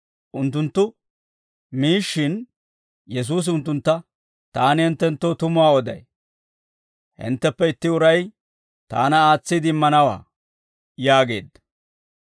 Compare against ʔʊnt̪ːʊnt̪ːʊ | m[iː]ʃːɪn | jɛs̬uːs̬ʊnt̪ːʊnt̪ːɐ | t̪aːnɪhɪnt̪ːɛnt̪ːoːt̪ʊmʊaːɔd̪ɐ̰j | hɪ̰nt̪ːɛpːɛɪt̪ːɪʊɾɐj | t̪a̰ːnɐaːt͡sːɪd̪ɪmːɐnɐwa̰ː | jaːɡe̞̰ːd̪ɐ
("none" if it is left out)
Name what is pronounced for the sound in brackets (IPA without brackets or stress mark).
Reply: iː